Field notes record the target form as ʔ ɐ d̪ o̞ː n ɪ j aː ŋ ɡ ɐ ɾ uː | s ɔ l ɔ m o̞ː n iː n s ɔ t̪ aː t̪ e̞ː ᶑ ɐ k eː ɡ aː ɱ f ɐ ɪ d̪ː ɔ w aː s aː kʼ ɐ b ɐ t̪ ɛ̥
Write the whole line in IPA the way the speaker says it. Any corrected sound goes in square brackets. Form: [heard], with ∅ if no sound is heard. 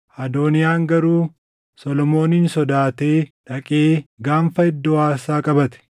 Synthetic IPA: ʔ ɐ d̪ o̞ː n ɪ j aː ŋ ɡ ɐ ɾ uː | s ɔ l ɔ m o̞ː n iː n s ɔ [d̪] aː t̪ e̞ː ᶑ ɐ [kʼ] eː ɡ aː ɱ f ɐ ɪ d̪ː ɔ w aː s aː kʼ ɐ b ɐ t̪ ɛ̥